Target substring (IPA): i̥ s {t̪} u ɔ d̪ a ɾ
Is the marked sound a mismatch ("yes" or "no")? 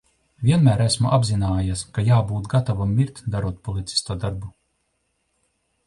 no